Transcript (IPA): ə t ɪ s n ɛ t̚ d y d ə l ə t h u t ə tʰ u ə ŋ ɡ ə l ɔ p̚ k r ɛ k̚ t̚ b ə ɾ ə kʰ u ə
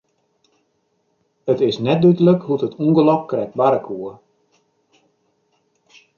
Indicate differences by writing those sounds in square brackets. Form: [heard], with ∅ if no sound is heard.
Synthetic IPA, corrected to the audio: ə t ɪ s n ɛ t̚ d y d ə l ə [k] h u t ə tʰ u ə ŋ ɡ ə l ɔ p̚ k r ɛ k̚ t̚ b [a] ɾ ə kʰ u ə